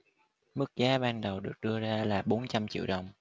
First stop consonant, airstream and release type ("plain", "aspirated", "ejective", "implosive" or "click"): plain